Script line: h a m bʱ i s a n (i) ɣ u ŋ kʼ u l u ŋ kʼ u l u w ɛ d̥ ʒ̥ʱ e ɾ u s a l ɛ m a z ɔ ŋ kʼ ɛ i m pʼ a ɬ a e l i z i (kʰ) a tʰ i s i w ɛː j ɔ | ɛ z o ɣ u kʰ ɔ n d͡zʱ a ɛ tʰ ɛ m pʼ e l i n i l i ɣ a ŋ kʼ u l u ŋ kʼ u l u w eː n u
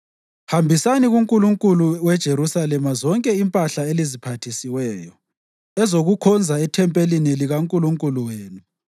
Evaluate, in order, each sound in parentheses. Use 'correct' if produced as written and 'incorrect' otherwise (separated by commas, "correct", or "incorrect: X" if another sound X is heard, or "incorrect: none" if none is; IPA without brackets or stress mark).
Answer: correct, incorrect: pʰ